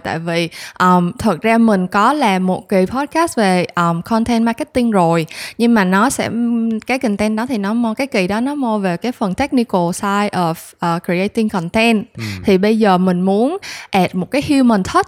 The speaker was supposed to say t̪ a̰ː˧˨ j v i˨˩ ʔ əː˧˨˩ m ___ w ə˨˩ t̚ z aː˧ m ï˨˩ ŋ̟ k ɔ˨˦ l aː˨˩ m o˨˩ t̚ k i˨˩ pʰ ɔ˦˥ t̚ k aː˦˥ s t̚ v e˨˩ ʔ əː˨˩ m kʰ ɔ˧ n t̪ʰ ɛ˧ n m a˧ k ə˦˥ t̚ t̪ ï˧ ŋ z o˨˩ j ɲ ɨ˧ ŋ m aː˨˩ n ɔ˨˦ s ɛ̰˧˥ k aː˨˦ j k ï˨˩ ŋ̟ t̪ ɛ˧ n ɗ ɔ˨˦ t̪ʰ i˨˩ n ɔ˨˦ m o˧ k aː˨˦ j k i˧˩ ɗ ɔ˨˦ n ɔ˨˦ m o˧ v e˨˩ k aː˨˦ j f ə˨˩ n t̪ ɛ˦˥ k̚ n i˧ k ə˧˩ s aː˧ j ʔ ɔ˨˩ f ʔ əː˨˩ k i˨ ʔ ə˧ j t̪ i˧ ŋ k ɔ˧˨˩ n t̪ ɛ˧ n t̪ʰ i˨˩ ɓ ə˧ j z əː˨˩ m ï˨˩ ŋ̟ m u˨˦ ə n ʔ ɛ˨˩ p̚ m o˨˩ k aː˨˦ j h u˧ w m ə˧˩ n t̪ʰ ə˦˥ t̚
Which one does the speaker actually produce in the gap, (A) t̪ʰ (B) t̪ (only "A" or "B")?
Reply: A